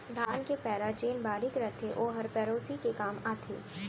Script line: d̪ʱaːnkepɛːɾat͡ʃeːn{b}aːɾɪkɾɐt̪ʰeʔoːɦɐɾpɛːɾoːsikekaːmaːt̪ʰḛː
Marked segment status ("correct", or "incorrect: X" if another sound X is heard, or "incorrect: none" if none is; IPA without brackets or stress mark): correct